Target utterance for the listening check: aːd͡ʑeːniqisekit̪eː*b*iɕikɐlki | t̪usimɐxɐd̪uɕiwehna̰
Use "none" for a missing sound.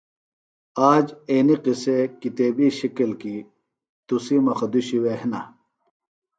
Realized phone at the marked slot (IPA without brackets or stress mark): b